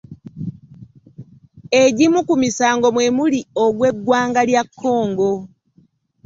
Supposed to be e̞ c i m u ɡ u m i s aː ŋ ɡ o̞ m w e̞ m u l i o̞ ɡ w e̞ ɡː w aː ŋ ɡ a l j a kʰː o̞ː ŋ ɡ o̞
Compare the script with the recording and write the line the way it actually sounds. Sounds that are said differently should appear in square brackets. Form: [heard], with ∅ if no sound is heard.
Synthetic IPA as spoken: e̞ [ɟ] i m u [k] u m i s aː ŋ ɡ o̞ m w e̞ m u l i o̞ ɡ w e̞ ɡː w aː ŋ ɡ a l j a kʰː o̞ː ŋ ɡ o̞

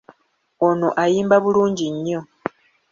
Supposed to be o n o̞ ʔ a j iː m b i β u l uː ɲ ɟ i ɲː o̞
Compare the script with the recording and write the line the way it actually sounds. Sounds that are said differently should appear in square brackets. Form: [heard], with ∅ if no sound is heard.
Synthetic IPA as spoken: o n o̞ ʔ a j iː m b [a] β u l uː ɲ ɟ i ɲː o̞

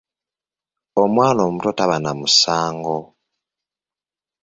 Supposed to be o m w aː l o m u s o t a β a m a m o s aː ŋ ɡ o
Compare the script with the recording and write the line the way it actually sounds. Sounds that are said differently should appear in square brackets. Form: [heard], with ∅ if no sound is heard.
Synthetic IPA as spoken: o m w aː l o m u [t] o t a β a [n] a m [u] s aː ŋ ɡ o

